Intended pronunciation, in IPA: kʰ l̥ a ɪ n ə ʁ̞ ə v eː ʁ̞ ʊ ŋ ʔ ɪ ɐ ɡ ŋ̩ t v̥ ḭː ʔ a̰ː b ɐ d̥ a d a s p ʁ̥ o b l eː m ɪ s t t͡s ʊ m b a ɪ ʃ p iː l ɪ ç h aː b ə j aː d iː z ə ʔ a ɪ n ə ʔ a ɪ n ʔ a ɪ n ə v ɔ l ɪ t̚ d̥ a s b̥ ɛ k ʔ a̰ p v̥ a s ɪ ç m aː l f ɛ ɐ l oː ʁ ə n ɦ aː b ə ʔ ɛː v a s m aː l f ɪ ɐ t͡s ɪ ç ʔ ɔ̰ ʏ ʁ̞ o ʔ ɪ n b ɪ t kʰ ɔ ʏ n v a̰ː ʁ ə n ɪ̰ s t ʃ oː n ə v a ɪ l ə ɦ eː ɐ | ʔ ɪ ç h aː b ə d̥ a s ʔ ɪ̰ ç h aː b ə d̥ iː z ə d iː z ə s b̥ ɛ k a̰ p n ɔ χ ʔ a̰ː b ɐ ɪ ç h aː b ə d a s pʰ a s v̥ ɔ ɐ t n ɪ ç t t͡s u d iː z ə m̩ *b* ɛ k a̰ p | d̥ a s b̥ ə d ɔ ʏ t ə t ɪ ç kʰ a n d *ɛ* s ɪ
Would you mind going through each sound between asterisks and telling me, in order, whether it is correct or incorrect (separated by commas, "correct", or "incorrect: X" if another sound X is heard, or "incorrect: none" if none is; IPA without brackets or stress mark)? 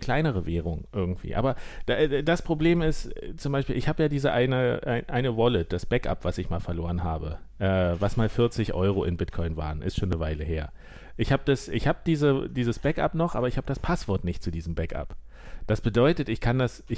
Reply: correct, incorrect: a